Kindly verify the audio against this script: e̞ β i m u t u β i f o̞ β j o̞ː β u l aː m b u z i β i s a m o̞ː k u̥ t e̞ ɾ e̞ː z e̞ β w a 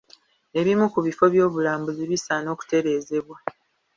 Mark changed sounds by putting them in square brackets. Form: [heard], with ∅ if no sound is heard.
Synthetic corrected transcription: e̞ β i m u [k] u β i f o̞ β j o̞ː β u l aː m b u z i β i s a [n] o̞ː k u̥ t e̞ ɾ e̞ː z e̞ β w a